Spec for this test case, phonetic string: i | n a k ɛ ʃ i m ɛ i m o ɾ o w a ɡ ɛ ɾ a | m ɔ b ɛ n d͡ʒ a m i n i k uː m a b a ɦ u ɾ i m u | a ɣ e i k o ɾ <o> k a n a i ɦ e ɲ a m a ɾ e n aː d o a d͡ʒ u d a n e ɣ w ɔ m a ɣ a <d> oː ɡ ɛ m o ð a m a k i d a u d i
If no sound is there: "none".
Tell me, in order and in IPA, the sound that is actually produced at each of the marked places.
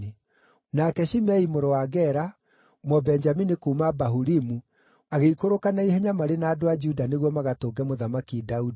o, t

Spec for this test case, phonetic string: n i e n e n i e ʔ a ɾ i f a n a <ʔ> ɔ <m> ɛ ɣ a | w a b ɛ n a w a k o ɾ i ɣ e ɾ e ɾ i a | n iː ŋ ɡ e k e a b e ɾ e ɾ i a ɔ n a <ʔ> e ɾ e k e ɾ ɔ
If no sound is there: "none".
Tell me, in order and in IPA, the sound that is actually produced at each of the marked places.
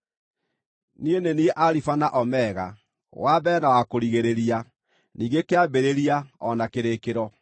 ʔ, m, k

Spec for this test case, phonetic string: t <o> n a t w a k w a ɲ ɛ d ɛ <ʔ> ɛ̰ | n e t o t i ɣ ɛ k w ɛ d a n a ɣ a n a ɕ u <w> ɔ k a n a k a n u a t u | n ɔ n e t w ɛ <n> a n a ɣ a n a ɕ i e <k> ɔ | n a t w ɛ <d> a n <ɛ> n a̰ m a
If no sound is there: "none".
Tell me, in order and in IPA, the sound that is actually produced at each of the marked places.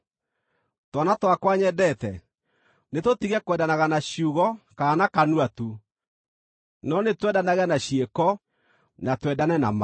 ɔ, t, ɣ, d, k, d, ɛ

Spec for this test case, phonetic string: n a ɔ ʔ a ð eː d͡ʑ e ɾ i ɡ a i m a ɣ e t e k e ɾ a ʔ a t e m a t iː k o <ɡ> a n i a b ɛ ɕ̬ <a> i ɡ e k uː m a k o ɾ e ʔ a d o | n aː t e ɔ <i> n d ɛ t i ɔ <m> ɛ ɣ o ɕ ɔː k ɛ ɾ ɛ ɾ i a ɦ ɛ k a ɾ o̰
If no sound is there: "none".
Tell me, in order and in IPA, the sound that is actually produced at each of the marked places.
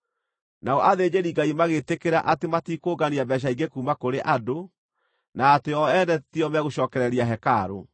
ɡ, a, ɛ, m

